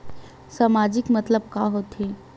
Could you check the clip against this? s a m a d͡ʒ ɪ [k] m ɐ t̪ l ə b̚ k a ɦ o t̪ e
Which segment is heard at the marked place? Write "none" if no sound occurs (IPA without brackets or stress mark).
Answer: k